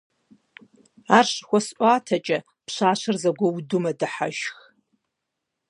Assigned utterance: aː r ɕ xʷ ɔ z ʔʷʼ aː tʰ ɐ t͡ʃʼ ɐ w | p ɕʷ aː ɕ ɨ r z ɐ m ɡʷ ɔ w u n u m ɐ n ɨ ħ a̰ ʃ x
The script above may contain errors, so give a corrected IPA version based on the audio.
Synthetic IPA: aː r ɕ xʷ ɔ s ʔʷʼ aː tʰ ɐ t͡ʃʼ ɐ | p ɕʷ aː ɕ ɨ r z ɐ ɡʷ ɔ w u d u m ɐ d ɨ ħ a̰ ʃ x

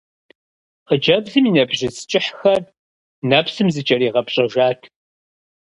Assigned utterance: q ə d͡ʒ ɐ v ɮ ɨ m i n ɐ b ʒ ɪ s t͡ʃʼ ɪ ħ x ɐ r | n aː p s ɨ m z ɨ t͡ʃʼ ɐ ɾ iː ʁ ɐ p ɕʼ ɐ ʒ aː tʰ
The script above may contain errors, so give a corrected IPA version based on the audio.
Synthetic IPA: q ə d͡ʒ ɐ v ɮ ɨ m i n ɐ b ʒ ɪ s t͡ʃʼ ɪ ħ x ɐ r | n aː p s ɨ m z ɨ t͡ʃʼ ɐ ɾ iː ʁ ɐ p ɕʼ ɐ ʒ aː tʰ

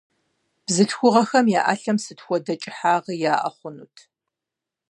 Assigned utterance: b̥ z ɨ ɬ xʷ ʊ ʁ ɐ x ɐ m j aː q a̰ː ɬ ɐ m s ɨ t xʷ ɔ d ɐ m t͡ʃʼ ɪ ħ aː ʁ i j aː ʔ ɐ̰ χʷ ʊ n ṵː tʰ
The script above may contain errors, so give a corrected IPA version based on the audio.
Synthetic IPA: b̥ z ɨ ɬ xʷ ʊ ʁ ɐ x ɐ m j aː ʔ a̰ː ɬ ɐ m s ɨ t xʷ ɔ d ɐ t͡ʃʼ ɪ ħ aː ʁ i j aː ʔ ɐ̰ χʷ ʊ n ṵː tʰ

